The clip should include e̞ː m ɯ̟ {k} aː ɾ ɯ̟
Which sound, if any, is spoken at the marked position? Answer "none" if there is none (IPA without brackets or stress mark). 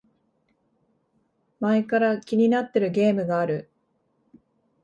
ɡ